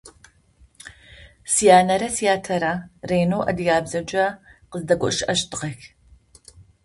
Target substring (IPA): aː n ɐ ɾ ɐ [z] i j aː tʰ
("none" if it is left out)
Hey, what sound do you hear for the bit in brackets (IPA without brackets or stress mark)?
s